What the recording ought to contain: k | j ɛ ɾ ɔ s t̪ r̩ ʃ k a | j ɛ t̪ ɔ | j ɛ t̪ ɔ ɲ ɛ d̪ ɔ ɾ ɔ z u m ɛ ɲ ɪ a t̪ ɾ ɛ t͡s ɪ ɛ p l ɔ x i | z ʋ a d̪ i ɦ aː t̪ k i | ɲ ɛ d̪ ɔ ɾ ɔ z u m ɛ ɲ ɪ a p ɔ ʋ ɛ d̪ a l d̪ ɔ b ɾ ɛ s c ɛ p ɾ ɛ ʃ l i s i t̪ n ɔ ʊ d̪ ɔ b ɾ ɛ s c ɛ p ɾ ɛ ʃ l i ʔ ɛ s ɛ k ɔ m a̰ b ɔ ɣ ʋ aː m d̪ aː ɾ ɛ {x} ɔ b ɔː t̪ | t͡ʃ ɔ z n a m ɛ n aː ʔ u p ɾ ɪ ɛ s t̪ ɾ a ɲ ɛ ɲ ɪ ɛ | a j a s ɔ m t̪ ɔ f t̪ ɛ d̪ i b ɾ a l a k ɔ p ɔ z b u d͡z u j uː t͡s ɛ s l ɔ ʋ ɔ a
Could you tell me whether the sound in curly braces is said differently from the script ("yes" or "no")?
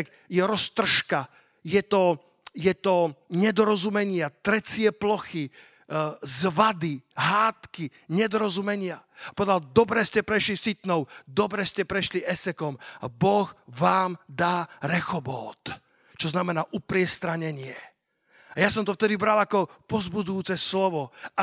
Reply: no